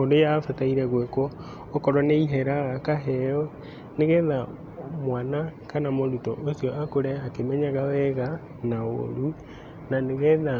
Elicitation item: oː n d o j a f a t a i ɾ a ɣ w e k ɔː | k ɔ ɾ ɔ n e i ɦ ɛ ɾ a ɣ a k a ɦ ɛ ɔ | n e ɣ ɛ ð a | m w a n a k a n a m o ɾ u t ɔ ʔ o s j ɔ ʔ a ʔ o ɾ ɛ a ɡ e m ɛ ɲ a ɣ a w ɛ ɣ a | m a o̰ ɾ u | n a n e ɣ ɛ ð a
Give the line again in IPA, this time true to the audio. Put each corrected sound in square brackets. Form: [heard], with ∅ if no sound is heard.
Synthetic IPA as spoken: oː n d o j a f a t a i ɾ [ɛ] ɣ w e k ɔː | k ɔ ɾ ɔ n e i ɦ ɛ ɾ a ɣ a k a ɦ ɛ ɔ | n e ɣ ɛ ð a | m w a n a k a n a m o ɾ u t ɔ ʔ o s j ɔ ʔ a [k] o ɾ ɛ a [k] e m ɛ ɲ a ɣ a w ɛ ɣ a | [n] a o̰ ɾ u | n a n e ɣ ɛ ð a